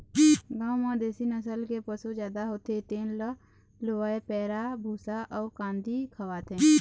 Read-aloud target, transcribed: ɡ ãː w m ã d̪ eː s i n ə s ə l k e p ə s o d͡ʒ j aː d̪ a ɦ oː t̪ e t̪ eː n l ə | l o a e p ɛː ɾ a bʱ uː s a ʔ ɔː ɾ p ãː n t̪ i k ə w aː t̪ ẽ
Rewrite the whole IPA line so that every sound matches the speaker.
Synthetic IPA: ɡ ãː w m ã d̪ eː s i n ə s ə l k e p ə s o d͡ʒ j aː d̪ a ɦ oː t̪ e t̪ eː n l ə | l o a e p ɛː ɾ a bʱ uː s a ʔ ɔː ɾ k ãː n d̪ i kʰ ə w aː t̪ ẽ